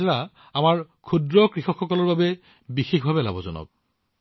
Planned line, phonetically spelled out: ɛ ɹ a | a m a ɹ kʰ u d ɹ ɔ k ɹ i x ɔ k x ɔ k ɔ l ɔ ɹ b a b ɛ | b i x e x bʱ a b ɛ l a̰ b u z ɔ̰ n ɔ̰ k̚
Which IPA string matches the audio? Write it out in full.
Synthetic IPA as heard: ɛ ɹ a | a m a ɹ kʰ u d ɹ ɔ k ɹ i x ɔ k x ɔ k ɔ l ɔ ɹ b a b ɛ | b i x e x bʱ a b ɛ l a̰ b ɔ z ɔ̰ n ɔ̰ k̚